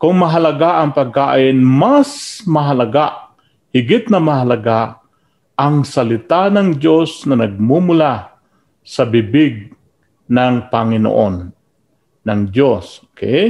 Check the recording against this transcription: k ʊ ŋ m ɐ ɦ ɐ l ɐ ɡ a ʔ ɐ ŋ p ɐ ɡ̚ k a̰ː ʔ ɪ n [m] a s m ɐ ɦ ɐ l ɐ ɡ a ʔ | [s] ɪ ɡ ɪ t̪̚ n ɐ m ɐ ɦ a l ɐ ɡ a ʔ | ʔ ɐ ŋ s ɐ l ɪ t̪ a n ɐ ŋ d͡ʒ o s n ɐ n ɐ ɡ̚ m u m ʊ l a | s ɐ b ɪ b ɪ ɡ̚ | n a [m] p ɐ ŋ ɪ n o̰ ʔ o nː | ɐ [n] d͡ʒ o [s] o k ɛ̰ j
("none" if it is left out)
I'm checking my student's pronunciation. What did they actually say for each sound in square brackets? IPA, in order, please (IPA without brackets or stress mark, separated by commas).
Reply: m, h, ŋ, ŋ, s